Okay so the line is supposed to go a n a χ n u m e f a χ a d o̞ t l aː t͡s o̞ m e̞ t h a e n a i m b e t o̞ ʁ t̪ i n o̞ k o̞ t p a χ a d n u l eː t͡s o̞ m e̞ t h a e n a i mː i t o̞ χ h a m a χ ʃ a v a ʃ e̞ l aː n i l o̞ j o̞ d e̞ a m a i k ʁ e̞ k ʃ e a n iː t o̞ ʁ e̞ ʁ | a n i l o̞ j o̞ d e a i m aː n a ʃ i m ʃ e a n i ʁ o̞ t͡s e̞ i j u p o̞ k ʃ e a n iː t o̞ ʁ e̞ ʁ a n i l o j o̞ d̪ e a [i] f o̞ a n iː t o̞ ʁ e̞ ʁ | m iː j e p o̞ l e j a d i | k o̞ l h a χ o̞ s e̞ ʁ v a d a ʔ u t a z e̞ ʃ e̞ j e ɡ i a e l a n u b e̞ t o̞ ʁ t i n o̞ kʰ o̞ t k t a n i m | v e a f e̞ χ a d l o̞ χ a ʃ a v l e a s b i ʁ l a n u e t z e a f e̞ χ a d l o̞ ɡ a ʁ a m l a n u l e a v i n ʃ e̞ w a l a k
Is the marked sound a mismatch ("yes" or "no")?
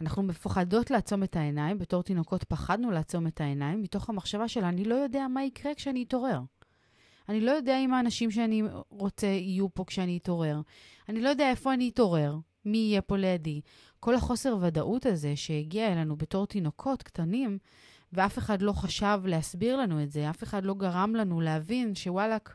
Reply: yes